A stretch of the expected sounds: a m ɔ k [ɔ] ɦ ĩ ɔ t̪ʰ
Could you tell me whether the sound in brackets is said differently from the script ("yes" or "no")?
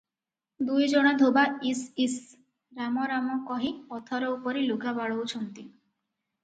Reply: no